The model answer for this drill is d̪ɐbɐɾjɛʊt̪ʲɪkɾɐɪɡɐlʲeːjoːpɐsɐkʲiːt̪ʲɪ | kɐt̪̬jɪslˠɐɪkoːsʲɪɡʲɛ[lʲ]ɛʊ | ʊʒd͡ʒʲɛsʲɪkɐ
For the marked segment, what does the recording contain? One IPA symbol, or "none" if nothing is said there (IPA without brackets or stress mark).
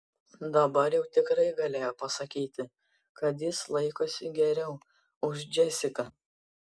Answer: ɾʲ